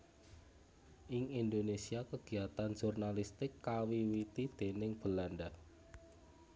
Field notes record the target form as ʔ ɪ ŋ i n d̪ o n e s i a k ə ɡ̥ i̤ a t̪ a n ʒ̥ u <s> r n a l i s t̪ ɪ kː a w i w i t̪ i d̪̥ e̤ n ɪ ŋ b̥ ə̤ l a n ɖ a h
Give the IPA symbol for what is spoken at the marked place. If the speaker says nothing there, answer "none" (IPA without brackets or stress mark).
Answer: none